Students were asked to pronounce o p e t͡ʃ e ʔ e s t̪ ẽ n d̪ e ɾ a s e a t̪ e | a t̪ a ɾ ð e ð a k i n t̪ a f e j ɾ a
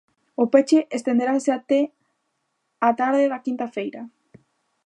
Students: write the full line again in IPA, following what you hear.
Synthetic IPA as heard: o p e t͡ʃ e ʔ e s t̪ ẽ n d̪ e ɾ a s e a t̪ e | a t̪ a ɾ ð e ð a k i n t̪ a f e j ɾ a